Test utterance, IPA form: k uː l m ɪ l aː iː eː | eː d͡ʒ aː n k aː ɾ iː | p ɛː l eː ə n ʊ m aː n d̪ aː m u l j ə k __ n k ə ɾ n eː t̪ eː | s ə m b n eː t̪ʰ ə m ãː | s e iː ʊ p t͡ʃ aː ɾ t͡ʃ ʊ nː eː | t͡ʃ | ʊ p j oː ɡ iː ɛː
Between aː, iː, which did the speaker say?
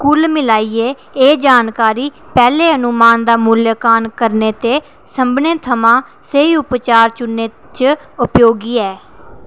aː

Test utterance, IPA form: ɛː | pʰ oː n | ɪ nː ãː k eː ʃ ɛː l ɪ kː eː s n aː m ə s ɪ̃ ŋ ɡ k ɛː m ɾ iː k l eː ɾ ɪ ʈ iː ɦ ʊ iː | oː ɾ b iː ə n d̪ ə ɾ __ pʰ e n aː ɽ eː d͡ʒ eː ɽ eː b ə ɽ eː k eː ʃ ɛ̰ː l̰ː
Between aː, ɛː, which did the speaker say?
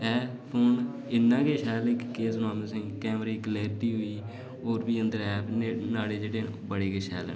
ɛː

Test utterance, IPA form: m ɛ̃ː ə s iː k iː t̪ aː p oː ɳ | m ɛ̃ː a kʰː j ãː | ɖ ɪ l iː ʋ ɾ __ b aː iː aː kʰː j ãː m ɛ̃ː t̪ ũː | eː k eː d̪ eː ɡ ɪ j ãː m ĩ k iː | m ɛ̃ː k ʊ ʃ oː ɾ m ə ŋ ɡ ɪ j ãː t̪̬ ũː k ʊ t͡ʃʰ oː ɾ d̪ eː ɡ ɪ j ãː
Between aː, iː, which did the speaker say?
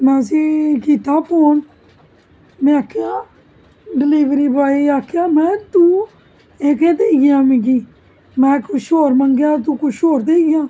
iː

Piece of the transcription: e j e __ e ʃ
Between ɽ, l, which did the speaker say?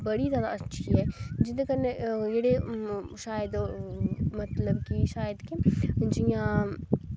ɽ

